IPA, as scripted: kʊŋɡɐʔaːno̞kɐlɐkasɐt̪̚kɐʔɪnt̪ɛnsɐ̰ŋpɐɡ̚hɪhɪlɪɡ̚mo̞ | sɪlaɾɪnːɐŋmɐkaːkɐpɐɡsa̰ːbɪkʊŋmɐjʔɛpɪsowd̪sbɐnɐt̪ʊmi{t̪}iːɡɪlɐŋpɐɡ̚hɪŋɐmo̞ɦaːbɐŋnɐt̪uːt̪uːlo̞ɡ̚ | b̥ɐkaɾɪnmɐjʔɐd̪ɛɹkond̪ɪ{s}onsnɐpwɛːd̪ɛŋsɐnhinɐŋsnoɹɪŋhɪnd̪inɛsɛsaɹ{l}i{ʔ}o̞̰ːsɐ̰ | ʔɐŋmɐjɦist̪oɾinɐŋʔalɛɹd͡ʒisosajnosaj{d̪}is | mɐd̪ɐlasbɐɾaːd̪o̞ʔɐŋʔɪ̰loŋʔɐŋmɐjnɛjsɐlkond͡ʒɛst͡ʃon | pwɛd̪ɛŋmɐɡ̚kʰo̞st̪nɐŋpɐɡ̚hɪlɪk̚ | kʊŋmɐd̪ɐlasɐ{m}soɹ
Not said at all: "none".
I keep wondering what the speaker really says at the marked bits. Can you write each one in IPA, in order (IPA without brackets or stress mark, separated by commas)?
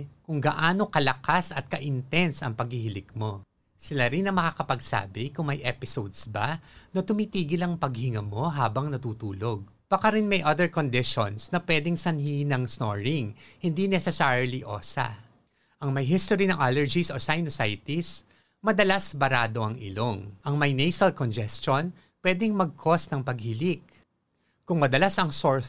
t̪, ʃ, l, ʔ, t̪, ŋ